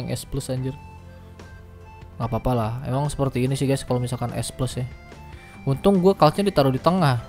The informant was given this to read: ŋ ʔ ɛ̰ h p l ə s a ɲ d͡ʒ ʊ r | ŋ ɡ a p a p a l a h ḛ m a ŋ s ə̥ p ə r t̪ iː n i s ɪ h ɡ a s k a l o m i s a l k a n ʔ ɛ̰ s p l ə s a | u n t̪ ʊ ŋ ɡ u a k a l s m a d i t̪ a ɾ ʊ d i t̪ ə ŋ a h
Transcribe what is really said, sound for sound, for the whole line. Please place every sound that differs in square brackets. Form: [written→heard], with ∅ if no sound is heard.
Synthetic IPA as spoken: ŋ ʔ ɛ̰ [h→s] p l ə s a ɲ d͡ʒ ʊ r | ŋ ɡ a p a p a l a h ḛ m a ŋ s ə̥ p ə r t̪ iː n i s ɪ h ɡ a s k a l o m i s a l k a n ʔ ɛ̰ s p l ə s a | u n t̪ ʊ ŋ ɡ u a k a l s [m→ɲ] a d i t̪ a ɾ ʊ d i t̪ ə ŋ a h